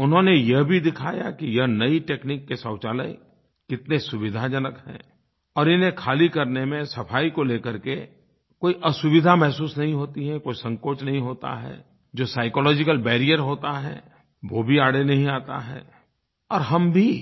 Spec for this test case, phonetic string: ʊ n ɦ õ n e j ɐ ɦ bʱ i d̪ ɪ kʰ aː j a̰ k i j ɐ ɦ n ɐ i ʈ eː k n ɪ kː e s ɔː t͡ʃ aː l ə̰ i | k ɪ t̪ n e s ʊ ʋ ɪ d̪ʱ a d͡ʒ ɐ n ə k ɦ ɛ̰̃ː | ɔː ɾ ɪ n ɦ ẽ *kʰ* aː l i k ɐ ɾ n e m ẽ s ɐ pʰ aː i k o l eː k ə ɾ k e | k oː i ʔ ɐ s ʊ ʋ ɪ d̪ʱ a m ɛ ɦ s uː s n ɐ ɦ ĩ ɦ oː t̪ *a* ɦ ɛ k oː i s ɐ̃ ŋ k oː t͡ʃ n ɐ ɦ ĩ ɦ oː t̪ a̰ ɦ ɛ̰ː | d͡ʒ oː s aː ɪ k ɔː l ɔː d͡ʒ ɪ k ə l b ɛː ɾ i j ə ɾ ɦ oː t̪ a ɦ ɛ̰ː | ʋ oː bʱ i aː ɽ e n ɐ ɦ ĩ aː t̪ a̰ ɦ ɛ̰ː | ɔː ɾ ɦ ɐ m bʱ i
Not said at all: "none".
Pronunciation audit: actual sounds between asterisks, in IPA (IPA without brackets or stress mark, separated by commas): kʰ, i